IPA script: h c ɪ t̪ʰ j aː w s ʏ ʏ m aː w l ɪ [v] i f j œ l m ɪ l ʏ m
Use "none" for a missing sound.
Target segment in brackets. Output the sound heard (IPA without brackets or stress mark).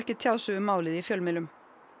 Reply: ð